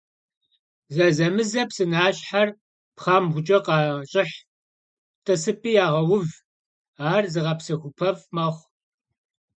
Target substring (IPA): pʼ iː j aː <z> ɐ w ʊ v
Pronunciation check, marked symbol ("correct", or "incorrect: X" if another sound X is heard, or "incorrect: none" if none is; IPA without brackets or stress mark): incorrect: ʁ